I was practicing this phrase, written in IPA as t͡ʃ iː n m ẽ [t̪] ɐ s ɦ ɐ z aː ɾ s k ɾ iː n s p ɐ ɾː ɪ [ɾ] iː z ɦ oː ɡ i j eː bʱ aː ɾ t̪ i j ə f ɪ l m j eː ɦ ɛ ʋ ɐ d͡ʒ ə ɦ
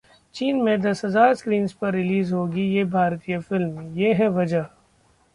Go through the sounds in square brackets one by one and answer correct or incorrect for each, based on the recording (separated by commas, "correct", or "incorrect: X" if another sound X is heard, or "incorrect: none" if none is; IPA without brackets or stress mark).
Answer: incorrect: d̪, incorrect: l